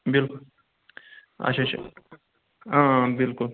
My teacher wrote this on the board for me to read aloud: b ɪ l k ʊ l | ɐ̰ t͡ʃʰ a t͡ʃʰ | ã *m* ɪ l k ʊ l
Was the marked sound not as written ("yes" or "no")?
yes